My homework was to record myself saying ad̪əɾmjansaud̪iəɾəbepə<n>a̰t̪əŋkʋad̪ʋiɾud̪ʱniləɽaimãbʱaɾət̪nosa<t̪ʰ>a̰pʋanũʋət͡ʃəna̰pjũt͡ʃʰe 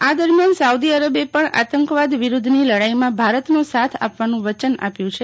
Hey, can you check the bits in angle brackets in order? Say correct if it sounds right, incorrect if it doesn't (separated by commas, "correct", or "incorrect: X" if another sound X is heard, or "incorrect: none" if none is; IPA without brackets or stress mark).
incorrect: ɳ, correct